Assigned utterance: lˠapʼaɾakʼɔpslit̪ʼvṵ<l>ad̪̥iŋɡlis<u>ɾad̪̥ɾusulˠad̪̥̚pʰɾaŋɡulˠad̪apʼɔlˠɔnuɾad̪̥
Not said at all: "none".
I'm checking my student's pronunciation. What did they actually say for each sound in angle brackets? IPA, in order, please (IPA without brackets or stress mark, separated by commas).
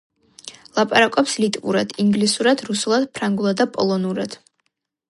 ɾ, u